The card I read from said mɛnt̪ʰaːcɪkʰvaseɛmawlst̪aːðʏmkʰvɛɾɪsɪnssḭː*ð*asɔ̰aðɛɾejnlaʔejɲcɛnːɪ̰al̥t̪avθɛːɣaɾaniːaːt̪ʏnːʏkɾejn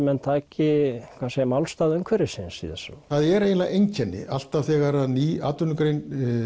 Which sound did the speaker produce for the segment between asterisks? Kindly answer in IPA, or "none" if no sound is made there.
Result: ð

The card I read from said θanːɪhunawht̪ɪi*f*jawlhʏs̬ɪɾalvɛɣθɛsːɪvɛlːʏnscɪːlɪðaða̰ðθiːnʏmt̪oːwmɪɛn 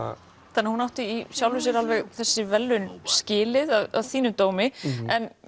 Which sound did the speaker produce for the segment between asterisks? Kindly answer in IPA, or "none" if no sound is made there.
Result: s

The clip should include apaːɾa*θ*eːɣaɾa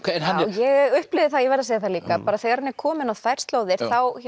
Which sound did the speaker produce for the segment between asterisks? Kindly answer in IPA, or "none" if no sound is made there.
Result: θ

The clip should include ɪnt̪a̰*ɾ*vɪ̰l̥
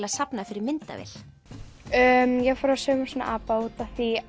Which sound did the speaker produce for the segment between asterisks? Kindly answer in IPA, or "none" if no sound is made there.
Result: none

